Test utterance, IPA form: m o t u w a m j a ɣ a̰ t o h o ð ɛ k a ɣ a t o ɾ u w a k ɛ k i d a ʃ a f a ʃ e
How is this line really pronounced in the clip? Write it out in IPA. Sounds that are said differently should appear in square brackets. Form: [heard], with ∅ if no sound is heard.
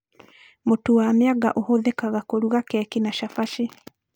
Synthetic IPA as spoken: m o t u w a m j a ɣ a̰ [ʔ] o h o ð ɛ k a ɣ a [k] o ɾ u [ɣ] a k ɛ k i [n] a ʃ a f a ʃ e